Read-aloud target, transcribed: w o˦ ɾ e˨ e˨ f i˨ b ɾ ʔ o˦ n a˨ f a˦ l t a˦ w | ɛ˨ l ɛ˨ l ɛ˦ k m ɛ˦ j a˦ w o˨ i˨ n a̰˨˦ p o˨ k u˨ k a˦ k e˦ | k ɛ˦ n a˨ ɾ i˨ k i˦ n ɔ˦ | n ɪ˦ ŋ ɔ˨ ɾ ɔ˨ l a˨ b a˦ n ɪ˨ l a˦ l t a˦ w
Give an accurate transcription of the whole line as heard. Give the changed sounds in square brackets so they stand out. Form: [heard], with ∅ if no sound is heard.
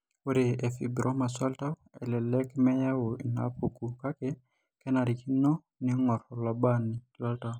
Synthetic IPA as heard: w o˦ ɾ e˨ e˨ f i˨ b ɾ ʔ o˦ [m] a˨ [s] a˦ l t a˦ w | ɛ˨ l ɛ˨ l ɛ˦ k m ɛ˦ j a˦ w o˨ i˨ n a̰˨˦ p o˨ k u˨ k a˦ k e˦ | k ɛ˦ n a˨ ɾ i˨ k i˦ n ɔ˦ | n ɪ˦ ŋ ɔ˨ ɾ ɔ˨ l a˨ b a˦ n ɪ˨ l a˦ l t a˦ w